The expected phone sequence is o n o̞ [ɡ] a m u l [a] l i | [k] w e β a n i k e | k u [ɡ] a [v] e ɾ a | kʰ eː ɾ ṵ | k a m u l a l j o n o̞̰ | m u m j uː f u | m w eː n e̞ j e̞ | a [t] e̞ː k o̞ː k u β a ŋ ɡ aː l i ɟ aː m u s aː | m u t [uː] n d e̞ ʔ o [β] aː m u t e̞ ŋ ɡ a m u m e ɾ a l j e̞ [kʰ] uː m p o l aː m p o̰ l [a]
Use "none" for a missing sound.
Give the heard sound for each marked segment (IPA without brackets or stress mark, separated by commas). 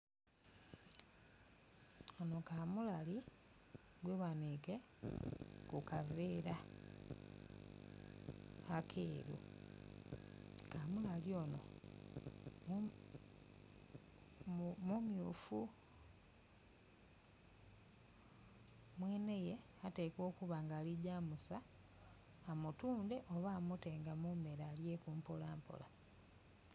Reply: k, a, ɡ, k, v, t, uː, β, k, a